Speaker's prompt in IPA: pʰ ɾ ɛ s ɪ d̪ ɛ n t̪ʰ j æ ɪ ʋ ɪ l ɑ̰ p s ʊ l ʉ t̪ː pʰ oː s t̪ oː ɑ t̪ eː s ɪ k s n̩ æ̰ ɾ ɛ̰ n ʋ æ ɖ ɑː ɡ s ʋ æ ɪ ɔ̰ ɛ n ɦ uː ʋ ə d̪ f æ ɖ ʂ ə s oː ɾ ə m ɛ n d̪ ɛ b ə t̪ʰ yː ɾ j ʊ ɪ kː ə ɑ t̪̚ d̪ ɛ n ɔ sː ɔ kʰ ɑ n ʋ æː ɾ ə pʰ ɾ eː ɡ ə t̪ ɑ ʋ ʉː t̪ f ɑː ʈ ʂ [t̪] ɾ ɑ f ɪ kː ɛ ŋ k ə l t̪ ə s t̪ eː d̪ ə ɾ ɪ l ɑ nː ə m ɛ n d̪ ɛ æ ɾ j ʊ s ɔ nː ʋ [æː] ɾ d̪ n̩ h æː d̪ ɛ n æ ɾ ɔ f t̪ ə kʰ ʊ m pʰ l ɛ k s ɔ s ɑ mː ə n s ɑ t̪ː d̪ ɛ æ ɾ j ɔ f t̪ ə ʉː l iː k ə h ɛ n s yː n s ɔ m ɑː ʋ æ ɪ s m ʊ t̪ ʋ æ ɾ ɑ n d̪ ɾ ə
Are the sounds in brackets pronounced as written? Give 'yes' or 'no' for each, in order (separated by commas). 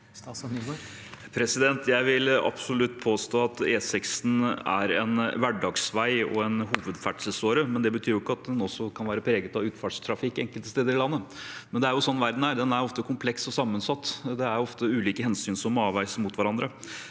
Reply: no, no